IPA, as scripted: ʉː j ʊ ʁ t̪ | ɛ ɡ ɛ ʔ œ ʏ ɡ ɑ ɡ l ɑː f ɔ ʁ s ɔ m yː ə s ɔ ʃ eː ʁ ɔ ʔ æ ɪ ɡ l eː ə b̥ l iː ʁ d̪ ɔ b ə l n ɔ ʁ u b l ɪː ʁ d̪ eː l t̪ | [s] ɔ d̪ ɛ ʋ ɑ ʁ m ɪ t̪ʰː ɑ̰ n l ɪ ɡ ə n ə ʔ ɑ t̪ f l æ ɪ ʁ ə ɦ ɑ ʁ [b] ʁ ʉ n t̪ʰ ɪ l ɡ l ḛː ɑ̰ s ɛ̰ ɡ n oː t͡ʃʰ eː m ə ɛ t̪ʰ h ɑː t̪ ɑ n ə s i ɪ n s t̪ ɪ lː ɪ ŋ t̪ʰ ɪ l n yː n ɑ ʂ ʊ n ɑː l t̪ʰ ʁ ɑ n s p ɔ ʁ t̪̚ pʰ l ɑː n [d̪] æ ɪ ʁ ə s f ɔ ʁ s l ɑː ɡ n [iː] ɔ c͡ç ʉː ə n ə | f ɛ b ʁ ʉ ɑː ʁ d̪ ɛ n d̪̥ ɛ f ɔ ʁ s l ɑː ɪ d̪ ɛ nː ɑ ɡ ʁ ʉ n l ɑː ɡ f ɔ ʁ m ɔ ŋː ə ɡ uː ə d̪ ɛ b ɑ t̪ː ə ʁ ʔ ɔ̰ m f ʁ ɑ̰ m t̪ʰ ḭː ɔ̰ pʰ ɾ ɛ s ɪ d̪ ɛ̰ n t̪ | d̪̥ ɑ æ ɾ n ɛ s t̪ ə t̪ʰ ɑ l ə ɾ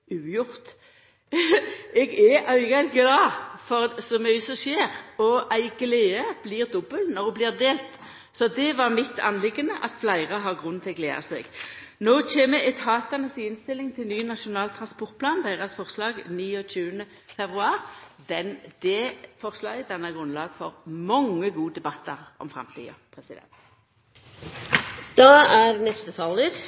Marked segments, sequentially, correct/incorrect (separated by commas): correct, incorrect, correct, correct